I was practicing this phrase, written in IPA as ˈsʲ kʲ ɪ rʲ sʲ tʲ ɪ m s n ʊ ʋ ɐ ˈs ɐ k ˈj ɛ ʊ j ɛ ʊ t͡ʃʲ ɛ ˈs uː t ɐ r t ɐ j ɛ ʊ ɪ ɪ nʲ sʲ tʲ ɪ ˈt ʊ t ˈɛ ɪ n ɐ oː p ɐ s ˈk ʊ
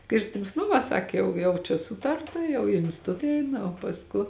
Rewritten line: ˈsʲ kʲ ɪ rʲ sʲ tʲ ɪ m s n ʊ ʋ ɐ ˈs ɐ k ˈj ɛ ʊ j ɛ ʊ t͡ʃʲ ɛ ˈs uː t ɐ r t ɐ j ɛ ʊ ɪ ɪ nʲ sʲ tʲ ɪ ˈt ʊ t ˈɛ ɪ n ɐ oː p ɐ s ˈk ʊ